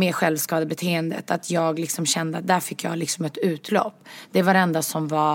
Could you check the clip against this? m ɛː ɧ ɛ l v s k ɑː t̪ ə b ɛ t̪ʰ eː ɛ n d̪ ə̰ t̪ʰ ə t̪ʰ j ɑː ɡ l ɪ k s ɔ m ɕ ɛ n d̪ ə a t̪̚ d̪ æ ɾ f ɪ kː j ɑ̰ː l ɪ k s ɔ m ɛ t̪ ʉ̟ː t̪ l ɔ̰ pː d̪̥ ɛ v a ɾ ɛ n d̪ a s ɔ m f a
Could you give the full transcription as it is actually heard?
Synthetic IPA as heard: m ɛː ɧ ɛ l v s k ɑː d̪ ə b ɛ t̪ʰ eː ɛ n d̪ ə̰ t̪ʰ a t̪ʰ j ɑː ɡ l ɪ k s ɔ m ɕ ɛ n d̪ ə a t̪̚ d̪ æ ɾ f ɪ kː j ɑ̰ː l ɪ k s ɔ m ɛ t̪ ʉ̟ː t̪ l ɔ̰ pː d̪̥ ɛ v a ɾ ɛ n d̪ a s ɔ m v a